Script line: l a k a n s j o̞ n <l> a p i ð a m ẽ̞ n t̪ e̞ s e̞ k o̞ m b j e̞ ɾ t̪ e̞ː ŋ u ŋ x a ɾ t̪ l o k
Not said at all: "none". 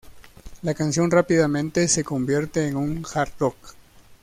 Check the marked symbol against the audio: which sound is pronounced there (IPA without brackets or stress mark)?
r